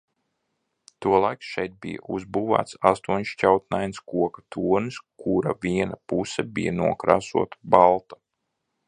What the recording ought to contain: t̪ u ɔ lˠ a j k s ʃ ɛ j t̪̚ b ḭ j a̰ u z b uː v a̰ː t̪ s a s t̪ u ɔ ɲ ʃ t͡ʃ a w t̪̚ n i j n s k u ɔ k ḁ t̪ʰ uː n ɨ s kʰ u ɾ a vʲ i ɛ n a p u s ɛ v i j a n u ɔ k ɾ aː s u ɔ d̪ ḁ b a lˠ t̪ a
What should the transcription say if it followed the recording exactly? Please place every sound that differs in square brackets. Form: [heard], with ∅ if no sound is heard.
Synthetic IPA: t̪ u ɔ lˠ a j k s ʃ ɛ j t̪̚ b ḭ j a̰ u z b uː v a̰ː t̪ s a s t̪ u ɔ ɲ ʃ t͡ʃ a w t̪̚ n [a] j n s k u ɔ k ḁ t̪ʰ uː n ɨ s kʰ u ɾ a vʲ i ɛ n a p u s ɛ [b] i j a n u ɔ k ɾ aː s u ɔ [t̪] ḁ b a lˠ t̪ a